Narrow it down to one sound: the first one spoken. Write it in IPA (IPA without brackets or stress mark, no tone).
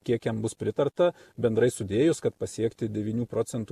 kʲ